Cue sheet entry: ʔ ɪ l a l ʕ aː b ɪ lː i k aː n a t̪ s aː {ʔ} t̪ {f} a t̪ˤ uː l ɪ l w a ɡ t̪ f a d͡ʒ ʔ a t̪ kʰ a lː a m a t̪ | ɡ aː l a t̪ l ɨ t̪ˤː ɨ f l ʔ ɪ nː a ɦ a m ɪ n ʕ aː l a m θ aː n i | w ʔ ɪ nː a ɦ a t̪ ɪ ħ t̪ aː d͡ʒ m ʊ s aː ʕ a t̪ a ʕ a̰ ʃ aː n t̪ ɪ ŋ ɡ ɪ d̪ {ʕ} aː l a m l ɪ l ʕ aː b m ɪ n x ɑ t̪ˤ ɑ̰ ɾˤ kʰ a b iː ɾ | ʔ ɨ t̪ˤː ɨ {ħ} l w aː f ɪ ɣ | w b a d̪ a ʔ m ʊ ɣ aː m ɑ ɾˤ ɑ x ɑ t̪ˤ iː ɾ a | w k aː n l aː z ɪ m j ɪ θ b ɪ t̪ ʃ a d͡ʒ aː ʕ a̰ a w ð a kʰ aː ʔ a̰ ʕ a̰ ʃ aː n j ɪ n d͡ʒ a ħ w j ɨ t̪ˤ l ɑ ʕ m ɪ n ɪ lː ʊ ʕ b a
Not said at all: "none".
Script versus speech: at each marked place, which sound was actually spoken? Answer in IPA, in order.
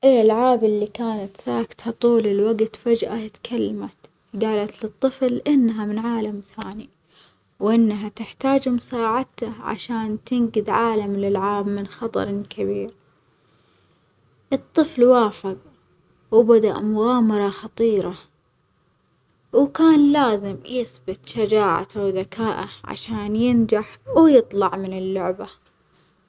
k, h, ʕ, f

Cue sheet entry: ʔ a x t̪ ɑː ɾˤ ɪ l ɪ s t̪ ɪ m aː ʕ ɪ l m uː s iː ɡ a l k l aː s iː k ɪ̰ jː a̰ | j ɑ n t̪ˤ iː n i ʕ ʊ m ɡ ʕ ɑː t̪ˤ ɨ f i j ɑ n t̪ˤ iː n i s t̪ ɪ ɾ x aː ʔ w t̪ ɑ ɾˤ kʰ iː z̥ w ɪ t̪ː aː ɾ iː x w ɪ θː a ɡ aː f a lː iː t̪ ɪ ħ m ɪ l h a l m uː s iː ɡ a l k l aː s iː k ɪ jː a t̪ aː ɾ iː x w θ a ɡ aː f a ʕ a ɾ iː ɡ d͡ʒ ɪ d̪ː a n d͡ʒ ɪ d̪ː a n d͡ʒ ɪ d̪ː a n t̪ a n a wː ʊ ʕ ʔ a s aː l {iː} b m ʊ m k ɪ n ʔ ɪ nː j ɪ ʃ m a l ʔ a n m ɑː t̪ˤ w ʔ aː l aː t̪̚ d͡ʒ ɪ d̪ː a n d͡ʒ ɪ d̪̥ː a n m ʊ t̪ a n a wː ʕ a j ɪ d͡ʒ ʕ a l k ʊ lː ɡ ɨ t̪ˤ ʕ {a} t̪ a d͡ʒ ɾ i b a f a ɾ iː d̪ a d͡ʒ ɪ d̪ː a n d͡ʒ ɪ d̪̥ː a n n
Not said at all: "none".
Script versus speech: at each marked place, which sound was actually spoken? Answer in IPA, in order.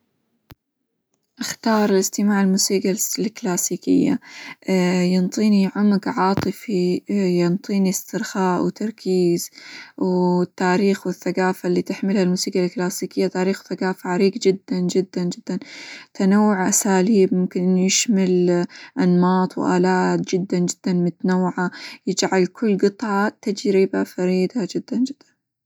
iː, ɑ

